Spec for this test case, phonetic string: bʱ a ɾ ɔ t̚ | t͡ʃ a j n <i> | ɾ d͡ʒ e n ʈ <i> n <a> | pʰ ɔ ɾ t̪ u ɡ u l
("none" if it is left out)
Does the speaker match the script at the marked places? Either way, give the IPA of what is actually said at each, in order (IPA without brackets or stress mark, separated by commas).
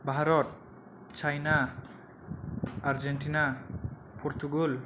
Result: a, i, a